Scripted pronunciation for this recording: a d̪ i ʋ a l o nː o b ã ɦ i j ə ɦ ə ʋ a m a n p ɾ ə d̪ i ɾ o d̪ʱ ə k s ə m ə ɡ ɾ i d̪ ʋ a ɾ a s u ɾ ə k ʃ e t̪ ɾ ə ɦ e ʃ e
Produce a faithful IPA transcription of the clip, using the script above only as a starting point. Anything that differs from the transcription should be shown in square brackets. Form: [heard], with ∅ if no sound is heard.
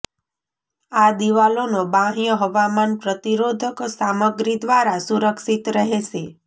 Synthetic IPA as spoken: a d̪ i ʋ a l o [n] o b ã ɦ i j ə ɦ ə ʋ a m a n p ɾ ə [t̪] i ɾ o d̪ʱ ə k s [a] m ə ɡ ɾ i d̪ ʋ a ɾ a s u ɾ ə k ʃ [i] t̪ ɾ ə ɦ e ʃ e